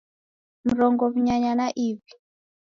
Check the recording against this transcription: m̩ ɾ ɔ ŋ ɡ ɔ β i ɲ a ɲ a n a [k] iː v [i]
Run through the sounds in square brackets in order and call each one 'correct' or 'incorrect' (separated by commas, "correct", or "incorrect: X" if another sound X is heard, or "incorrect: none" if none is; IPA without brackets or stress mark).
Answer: incorrect: ʔ, correct